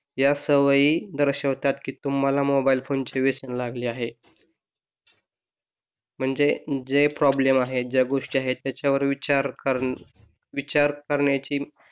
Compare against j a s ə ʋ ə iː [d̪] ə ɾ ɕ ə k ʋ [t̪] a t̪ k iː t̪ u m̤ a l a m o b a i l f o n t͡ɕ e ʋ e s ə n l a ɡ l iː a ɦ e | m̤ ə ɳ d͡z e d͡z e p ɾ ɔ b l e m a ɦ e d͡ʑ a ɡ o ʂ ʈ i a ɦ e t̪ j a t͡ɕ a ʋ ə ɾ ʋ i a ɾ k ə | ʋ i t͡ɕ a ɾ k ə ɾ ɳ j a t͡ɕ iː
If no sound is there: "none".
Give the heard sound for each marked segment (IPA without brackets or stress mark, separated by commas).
d̪, t̪